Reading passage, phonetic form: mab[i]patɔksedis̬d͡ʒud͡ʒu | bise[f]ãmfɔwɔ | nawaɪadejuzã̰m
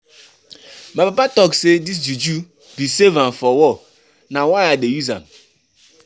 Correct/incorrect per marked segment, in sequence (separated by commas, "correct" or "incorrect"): incorrect, incorrect